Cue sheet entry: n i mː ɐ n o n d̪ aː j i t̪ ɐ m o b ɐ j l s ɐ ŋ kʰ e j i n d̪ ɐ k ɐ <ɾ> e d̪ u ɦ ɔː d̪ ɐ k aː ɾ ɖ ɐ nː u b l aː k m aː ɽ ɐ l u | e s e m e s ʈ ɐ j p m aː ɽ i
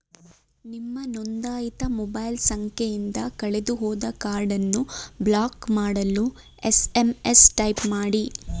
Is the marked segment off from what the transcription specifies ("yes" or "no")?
yes